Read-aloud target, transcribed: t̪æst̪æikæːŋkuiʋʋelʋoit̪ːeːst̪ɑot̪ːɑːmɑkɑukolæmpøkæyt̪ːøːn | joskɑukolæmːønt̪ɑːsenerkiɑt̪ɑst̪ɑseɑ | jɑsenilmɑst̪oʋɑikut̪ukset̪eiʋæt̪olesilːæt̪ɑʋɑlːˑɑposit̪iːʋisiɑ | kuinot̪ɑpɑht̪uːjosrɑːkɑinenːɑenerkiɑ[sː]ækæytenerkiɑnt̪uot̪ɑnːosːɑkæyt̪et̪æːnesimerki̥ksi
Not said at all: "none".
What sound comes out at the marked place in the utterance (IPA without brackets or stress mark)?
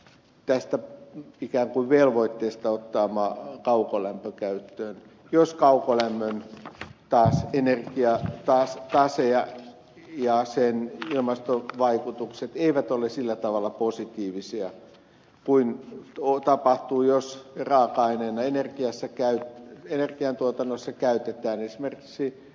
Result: sː